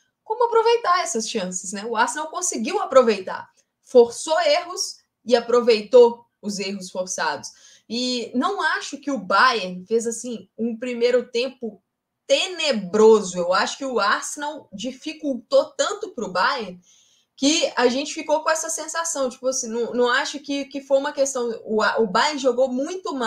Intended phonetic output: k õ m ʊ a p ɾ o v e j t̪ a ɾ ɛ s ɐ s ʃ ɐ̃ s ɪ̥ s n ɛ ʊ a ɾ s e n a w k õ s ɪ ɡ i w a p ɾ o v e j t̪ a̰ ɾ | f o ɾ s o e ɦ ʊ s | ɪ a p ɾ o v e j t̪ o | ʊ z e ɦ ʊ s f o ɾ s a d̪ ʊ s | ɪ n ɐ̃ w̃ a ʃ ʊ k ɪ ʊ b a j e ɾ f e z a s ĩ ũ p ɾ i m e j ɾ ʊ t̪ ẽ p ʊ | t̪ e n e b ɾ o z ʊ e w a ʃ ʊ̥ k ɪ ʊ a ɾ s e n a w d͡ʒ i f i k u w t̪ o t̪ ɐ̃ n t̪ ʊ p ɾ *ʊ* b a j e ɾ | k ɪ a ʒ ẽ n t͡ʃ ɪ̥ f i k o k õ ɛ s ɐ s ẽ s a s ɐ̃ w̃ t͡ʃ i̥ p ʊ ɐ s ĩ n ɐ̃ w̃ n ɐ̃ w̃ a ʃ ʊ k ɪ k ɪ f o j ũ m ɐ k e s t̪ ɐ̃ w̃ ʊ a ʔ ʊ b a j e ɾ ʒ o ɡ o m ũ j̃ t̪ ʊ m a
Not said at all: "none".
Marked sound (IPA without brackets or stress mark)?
ʊ